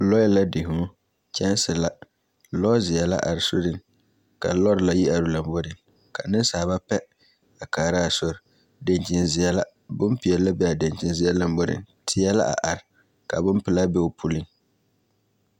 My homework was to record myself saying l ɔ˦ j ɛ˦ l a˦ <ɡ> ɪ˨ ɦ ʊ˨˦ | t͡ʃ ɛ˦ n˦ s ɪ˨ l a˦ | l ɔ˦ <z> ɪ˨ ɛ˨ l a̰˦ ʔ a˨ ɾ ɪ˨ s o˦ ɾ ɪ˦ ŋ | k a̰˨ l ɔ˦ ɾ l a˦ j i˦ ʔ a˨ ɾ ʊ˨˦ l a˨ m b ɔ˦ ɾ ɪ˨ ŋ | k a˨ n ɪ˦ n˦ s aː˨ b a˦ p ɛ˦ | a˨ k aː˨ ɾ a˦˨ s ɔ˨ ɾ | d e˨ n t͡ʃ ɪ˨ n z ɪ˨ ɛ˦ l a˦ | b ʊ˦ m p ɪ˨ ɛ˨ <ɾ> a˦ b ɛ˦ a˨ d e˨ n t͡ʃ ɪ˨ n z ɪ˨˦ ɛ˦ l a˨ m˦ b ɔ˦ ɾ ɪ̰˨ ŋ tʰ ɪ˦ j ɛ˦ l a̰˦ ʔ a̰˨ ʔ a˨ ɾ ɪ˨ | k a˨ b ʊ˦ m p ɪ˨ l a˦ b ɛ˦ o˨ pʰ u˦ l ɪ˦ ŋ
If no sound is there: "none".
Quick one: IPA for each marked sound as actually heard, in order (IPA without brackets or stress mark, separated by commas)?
d, z, l